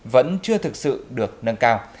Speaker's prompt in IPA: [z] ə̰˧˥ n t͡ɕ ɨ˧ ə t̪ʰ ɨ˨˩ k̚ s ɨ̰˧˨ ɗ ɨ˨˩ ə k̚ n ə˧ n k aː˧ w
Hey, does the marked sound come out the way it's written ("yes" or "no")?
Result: no